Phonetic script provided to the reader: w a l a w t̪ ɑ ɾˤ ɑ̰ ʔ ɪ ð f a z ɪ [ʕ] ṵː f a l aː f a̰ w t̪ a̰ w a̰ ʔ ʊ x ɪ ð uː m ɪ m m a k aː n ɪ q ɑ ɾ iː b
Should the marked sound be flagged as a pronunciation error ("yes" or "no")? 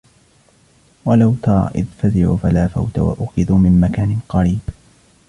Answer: no